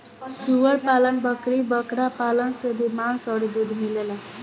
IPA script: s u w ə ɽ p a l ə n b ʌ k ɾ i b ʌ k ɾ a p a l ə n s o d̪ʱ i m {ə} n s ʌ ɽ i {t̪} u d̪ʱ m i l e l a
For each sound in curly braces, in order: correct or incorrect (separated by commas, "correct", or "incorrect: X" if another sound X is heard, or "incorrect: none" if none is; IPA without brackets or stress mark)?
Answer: incorrect: a, incorrect: d̪